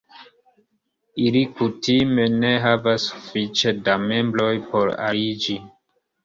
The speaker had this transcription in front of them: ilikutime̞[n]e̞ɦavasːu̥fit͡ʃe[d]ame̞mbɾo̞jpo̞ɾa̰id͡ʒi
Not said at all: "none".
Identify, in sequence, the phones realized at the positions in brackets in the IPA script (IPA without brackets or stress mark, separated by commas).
n, d